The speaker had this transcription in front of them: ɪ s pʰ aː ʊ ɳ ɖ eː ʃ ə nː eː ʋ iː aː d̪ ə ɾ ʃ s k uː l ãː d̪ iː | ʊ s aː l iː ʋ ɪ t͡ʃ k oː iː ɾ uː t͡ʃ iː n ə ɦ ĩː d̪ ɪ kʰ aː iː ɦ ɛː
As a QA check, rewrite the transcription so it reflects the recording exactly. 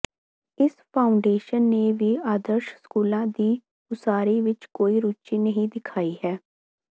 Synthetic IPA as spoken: ɪ s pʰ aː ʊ ɳ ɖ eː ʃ ə nː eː ʋ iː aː d̪ ə ɾ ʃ s k uː l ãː d̪ iː | ʊ s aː ɾ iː ʋ ɪ t͡ʃ k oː iː ɾ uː t͡ʃ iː n ə ɦ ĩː d̪ ɪ kʰ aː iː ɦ ɛː